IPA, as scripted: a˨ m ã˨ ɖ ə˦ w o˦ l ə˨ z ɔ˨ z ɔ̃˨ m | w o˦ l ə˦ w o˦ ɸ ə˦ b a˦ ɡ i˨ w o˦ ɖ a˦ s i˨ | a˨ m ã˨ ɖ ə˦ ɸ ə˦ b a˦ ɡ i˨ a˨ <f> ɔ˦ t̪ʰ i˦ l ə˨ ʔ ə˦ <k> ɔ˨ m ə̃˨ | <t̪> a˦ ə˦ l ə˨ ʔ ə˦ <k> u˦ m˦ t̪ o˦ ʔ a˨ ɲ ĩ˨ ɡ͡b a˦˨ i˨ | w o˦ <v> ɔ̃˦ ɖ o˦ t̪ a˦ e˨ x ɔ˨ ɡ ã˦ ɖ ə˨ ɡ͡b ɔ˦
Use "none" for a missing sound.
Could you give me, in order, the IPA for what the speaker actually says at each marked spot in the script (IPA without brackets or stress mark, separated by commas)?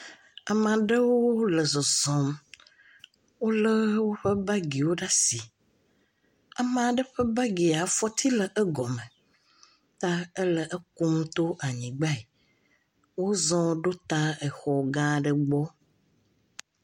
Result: f, ɡ, t̪, k, z